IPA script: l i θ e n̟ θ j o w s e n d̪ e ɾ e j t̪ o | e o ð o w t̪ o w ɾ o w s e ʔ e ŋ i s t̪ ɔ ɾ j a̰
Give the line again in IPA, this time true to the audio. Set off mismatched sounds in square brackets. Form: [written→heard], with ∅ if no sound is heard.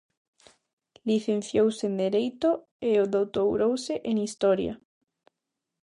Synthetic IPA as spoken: l i θ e n̟ θ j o w s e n d̪ e ɾ e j t̪ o | e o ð o w t̪ o w ɾ o w s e ʔ e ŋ i s t̪ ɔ ɾ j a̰